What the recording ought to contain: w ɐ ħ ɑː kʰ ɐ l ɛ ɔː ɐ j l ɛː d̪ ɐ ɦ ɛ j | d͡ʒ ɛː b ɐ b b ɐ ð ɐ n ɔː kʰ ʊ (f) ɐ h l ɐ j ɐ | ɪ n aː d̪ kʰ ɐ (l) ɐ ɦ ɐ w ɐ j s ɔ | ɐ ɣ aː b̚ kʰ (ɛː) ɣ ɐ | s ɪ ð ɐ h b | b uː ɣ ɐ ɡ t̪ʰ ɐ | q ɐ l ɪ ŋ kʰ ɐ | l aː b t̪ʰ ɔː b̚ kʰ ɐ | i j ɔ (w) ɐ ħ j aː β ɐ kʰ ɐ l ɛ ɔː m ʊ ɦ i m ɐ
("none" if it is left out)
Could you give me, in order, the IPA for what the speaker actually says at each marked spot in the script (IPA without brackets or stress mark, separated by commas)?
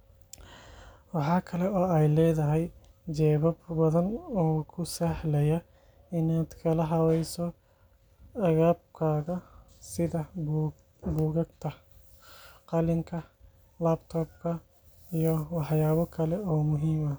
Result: s, l, aː, w